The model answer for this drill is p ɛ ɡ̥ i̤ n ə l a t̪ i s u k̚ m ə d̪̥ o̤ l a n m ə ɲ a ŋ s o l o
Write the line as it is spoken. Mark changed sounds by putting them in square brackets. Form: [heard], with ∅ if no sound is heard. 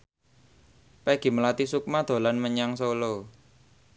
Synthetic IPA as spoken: p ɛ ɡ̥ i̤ [m] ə l a t̪ i s u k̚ m [a] d̪̥ o̤ l a n m ə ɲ a ŋ s o l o

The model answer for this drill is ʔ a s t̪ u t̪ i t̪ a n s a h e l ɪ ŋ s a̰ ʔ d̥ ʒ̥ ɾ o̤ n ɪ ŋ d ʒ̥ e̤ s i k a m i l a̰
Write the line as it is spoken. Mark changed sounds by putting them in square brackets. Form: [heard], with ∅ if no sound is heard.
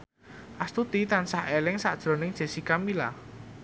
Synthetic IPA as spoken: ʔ a s t̪ u t̪ i t̪ a n s a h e l ɪ ŋ s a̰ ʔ d̥ ʒ̥ ɾ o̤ n ɪ ŋ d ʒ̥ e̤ s i k a m i l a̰

